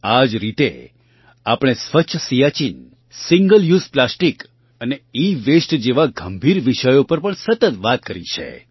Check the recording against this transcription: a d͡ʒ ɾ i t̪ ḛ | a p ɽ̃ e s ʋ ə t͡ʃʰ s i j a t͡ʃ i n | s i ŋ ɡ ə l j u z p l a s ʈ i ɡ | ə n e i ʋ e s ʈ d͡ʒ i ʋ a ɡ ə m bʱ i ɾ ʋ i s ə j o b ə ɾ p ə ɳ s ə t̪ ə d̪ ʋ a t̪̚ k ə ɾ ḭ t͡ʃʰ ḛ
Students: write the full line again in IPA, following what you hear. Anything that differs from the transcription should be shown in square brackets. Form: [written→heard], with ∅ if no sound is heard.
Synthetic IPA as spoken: a d͡ʒ ɾ i t̪ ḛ | a p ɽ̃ e s ʋ ə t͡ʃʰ s i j a t͡ʃ i n | s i ŋ ɡ ə l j u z p l a s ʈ i [ɡ→k] | ə n e i ʋ e s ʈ d͡ʒ [i→e] ʋ a ɡ ə m bʱ i ɾ ʋ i [s→ʃ] ə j o [b→p] ə ɾ p ə ɳ s ə t̪ ə [d̪→t̪] ʋ a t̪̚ k ə ɾ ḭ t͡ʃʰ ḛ